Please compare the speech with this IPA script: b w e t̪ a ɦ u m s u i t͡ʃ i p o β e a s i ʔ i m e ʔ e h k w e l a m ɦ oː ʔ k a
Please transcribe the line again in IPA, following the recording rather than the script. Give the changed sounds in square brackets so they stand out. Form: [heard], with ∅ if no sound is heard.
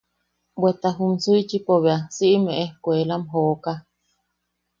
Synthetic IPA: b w e t̪ a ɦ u m s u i t͡ʃ i p o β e a s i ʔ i m e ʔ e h k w e l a m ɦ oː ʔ k a